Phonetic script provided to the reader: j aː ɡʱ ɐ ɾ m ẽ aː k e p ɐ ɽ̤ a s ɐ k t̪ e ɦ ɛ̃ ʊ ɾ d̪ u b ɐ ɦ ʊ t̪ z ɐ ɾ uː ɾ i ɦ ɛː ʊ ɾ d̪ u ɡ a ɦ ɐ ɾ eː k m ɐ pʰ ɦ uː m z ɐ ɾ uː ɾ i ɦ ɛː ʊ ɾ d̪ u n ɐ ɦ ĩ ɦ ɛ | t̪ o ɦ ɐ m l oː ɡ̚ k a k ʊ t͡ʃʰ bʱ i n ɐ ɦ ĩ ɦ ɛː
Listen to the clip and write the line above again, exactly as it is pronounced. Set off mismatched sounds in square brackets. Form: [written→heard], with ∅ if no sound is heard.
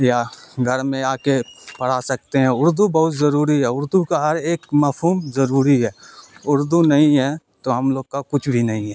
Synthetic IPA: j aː ɡʱ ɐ ɾ m ẽ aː k e p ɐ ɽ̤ a s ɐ k t̪ e ɦ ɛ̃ ʊ ɾ d̪ u b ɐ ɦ ʊ t̪ z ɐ ɾ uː ɾ i ɦ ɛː ʊ ɾ d̪ u [ɡ→k] a ɦ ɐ ɾ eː k m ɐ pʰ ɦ uː m z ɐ ɾ uː ɾ i ɦ ɛː ʊ ɾ d̪ u n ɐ ɦ ĩ ɦ ɛ | t̪ o ɦ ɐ m l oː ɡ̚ k a k ʊ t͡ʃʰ bʱ i n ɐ ɦ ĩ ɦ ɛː